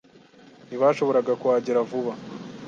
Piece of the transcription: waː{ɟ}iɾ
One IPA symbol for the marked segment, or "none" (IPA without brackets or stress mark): ɟ